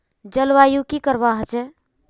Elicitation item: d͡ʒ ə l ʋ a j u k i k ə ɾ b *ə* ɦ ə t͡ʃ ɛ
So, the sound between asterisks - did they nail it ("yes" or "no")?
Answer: no